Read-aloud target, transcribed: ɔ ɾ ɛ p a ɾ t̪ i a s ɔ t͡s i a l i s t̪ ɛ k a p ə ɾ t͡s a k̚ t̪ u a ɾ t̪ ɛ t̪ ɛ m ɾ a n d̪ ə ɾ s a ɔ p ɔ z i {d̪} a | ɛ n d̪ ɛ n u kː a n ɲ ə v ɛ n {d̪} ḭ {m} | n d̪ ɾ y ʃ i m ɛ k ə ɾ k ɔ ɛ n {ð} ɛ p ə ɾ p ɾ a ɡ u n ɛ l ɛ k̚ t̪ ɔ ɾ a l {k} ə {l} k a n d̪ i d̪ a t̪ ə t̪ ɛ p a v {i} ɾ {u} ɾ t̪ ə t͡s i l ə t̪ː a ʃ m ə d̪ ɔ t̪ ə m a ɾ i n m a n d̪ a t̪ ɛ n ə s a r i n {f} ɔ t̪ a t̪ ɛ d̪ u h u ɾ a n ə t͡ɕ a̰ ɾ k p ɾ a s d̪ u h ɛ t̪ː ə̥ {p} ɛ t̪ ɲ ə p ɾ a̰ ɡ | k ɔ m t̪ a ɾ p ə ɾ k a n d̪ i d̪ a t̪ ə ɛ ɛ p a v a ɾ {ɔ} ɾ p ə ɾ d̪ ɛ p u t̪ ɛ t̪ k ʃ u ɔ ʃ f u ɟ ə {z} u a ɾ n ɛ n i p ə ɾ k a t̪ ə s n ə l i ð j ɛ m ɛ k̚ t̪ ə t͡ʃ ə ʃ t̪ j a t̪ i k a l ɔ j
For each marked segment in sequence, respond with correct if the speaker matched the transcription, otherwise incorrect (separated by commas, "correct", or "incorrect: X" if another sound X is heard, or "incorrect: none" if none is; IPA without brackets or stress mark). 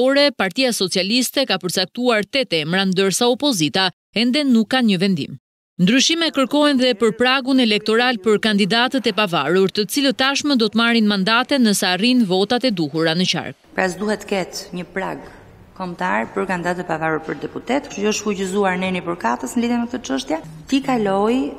incorrect: t̪, correct, correct, correct, incorrect: p, incorrect: ɾ, incorrect: a, correct, incorrect: v, incorrect: k, incorrect: u, correct